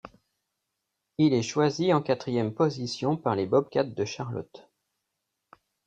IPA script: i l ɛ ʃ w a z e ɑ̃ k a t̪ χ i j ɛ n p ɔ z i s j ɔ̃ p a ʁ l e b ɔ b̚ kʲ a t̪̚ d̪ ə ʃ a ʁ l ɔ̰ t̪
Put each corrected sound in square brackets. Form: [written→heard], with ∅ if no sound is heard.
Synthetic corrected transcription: i l ɛ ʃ w a z [e→i] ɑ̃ k a t̪ χ i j ɛ [n→m] p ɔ z i s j ɔ̃ p a ʁ l e b ɔ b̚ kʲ a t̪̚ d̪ ə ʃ a ʁ l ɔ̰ t̪